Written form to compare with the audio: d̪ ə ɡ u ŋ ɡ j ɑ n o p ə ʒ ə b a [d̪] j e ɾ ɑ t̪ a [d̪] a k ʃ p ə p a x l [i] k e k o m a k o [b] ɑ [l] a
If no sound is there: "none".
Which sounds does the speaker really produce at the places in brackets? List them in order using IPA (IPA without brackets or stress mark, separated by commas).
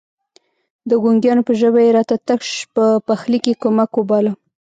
none, t̪, i, b, l